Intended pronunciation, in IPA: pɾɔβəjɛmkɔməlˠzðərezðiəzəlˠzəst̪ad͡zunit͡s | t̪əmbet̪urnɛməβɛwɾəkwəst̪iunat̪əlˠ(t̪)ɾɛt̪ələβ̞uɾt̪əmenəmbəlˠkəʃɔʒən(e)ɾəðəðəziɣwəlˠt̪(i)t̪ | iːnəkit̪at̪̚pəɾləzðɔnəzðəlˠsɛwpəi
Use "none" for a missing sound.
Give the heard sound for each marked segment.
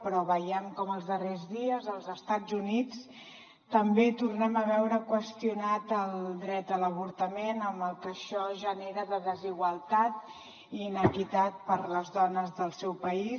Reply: d̪, e, a

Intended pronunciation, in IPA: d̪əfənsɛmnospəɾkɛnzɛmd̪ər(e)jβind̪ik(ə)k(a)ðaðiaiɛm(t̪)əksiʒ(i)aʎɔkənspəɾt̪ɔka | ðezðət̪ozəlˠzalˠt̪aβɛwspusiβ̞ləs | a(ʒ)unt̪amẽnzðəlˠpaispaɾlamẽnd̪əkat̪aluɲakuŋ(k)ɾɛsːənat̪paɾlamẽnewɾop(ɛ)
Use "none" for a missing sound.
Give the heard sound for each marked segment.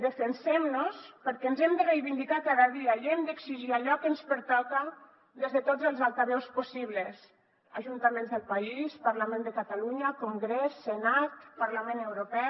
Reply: e, a, a, d̪, i, ʒ, ɡ, ɛ

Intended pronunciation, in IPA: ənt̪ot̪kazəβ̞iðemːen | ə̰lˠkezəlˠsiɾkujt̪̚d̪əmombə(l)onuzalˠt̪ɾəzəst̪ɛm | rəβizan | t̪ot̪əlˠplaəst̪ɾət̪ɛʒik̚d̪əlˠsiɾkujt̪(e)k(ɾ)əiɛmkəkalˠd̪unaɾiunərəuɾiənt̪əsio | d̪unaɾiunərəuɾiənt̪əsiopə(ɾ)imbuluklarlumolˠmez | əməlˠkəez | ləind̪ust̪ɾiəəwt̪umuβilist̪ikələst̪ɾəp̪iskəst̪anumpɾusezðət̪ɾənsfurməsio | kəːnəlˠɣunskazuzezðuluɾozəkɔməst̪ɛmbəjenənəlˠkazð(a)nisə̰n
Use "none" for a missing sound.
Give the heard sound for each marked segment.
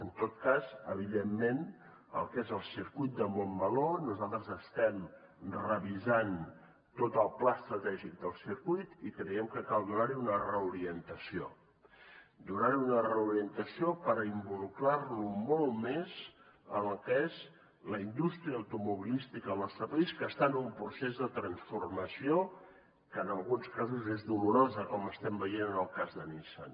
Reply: l, i, ɾ, ɾ, ə

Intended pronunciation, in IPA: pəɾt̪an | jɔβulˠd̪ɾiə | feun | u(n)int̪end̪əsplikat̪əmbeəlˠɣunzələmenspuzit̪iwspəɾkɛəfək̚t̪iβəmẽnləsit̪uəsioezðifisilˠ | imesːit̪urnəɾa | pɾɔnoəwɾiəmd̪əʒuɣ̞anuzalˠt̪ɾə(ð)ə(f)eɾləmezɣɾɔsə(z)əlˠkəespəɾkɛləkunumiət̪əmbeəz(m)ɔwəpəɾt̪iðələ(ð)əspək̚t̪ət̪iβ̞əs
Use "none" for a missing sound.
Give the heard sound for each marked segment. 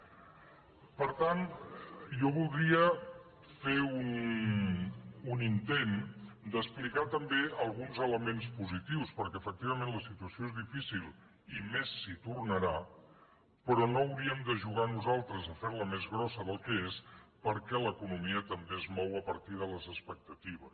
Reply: n, z, f, ð, m, z

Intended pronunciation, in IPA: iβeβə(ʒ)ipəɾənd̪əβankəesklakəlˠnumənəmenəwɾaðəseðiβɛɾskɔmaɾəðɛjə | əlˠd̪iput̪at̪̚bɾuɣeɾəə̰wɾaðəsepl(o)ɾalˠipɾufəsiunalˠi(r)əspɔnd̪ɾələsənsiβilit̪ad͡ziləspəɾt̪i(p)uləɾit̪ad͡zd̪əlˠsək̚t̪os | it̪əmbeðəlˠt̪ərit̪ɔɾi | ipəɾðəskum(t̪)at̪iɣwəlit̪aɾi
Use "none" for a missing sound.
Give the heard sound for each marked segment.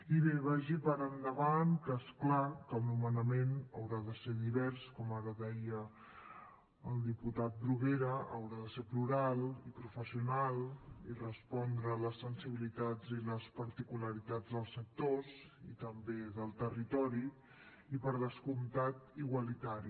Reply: ʒ, u, r, k, t̪

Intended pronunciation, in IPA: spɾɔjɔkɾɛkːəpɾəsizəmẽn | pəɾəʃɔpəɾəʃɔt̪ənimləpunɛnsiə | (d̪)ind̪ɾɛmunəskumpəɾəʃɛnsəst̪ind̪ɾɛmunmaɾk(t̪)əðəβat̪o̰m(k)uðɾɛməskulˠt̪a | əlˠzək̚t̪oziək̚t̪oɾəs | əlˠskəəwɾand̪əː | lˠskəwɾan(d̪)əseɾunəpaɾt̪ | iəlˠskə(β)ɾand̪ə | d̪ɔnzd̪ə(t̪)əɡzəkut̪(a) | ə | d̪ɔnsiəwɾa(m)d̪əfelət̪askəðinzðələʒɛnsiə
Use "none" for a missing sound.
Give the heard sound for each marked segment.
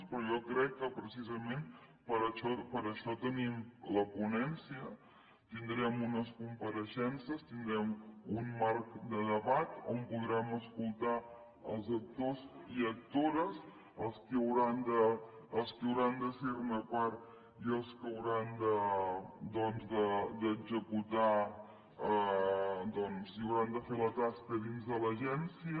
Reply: t̪, d̪, p, d̪, w, d̪, a, n

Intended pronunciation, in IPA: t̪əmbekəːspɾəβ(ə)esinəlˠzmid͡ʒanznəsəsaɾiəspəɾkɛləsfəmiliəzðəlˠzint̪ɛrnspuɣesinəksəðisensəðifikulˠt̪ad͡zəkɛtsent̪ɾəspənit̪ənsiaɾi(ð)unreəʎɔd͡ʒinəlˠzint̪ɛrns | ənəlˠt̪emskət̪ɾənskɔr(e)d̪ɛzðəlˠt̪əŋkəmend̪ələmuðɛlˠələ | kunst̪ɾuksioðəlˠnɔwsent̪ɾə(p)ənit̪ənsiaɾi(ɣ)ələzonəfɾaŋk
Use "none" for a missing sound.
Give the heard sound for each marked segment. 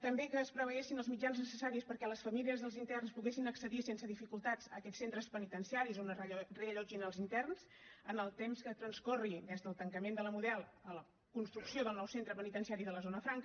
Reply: ə, z, i, p, ð

